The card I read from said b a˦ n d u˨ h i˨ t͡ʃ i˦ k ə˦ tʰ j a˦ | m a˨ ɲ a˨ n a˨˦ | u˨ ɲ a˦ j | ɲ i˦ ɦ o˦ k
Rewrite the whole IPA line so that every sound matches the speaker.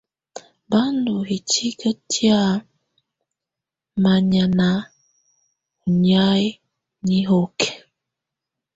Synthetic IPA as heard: b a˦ n d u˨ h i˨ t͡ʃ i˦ k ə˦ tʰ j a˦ | m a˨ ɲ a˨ n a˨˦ | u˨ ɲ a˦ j | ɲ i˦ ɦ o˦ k